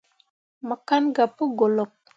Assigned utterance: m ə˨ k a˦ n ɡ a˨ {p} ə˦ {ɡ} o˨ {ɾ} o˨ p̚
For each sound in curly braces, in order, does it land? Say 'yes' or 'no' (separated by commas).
yes, yes, no